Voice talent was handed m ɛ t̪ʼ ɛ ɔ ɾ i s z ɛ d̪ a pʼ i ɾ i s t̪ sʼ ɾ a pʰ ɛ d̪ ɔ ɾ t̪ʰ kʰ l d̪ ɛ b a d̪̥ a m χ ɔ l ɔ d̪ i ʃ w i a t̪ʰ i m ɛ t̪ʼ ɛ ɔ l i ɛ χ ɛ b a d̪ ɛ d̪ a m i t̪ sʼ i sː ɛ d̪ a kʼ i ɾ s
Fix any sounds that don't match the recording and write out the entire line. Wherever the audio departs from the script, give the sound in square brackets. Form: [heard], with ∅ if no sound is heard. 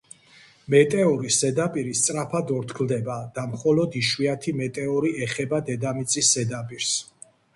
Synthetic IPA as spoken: m ɛ t̪ʼ ɛ ɔ ɾ i s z ɛ d̪ a pʼ i ɾ i s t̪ sʼ ɾ a pʰ [a] d̪ ɔ ɾ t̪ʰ kʰ l d̪ ɛ b a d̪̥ a m χ ɔ l ɔ d̪ i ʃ w i a t̪ʰ i m ɛ t̪ʼ ɛ ɔ [ɾ] i ɛ χ ɛ b a d̪ ɛ d̪ a m i t̪ sʼ i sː ɛ d̪ a [pʼ] i ɾ s